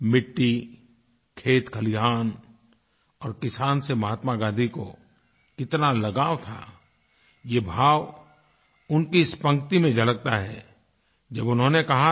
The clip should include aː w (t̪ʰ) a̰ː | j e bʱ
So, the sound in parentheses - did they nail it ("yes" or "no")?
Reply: yes